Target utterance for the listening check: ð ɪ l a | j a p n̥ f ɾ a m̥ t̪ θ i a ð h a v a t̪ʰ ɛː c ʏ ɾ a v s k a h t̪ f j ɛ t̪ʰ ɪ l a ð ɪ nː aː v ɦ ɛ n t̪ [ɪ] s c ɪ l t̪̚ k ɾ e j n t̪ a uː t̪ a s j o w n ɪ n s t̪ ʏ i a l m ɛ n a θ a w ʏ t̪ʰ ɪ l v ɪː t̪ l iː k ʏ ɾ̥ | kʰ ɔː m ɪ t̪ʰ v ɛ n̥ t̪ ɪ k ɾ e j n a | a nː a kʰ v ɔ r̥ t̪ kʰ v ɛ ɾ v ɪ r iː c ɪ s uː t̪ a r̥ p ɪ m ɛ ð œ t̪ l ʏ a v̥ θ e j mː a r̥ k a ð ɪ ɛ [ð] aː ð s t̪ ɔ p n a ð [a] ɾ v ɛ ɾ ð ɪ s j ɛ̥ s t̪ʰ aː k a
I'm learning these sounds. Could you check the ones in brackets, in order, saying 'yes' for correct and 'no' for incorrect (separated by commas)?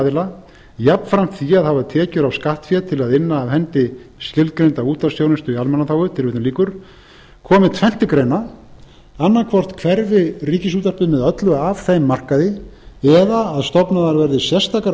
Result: yes, yes, yes